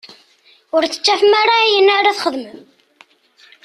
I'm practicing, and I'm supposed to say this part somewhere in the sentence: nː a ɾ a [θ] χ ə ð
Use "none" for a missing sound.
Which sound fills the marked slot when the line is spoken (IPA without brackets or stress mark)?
θ